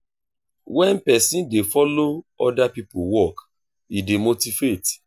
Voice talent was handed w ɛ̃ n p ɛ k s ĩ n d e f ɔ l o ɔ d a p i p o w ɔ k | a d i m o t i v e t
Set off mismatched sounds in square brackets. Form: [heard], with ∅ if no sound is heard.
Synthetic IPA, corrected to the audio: w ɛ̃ n p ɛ [∅] s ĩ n d e f ɔ l o ɔ d a p i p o w ɔ k | [i] d [e] m o t i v e t